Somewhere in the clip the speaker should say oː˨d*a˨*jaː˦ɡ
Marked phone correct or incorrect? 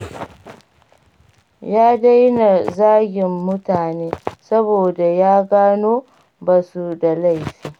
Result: correct